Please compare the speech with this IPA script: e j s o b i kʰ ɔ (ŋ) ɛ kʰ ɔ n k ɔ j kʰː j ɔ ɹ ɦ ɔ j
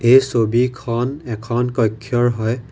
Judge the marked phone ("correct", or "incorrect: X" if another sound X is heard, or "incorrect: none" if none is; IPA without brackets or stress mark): incorrect: n